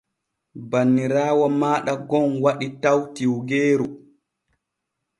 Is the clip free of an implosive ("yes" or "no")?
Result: no